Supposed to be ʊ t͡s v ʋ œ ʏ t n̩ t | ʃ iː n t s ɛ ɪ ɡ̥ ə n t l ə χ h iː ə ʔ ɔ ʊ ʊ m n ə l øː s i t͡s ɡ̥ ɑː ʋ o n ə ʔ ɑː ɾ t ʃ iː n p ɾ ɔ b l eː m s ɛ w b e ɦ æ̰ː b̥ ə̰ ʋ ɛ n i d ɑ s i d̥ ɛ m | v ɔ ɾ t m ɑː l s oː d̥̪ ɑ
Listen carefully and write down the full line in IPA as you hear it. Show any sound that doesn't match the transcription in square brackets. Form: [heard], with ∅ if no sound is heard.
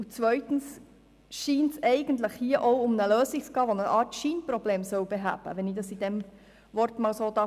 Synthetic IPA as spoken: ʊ t͡s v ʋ œ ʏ t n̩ [s] | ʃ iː n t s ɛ ɪ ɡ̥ ə n t l ə χ h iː ə ʔ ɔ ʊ ʊ m n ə l øː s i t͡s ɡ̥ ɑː ʋ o n ə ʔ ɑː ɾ t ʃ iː n p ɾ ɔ b l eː m s [œ] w b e ɦ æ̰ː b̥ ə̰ ʋ ɛ n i d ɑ s i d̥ ɛ m | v ɔ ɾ t m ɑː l s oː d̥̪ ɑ